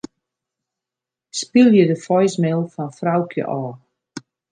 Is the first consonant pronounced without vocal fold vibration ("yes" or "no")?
yes